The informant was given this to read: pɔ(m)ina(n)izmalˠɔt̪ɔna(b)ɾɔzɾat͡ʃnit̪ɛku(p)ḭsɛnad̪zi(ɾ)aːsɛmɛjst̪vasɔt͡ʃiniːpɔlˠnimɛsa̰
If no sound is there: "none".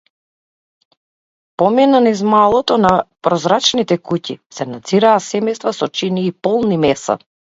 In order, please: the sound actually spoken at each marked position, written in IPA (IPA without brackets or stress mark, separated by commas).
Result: m, n, p, c, ɾ